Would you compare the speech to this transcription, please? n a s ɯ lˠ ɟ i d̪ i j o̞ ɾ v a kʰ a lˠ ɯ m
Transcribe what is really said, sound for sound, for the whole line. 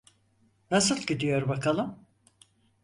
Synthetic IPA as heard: n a s ɯ lˠ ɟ i d̪ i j o̞ ɾ b a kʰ a lˠ ɯ m